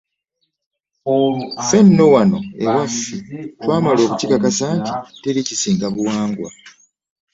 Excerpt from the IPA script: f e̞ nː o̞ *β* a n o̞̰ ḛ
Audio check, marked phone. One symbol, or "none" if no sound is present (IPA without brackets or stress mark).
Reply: w